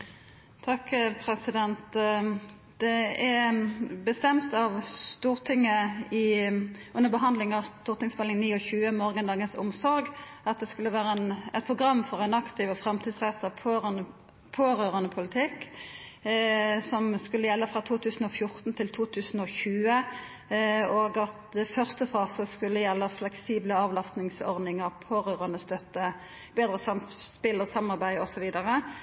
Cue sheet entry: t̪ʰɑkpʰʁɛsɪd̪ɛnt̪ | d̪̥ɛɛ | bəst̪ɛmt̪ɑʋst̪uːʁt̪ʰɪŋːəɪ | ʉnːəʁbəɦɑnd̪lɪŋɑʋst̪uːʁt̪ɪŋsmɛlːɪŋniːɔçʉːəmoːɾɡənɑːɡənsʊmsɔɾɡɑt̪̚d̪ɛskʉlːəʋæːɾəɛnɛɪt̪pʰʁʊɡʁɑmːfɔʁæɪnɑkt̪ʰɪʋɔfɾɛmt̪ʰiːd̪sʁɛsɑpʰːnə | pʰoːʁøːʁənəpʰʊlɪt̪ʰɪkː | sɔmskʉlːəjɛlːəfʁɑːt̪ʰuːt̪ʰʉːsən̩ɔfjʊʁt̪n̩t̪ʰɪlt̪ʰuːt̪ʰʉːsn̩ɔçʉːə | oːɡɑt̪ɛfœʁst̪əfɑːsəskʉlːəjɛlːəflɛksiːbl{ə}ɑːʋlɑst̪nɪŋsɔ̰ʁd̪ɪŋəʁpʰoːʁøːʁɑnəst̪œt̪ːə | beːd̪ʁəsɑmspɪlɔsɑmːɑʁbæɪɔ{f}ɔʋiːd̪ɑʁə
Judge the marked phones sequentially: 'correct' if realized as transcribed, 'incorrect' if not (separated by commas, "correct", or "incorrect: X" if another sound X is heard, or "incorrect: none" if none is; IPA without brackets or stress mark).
correct, incorrect: s